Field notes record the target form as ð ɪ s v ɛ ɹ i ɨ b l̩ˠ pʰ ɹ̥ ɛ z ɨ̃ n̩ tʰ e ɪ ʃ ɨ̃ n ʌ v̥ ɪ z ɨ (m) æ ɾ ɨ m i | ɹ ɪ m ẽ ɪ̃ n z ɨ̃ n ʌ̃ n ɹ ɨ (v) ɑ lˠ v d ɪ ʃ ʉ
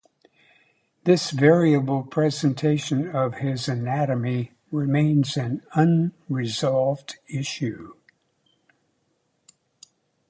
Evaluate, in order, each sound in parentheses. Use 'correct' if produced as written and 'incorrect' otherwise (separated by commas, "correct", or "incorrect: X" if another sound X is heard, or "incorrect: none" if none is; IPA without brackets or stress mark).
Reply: incorrect: n, incorrect: z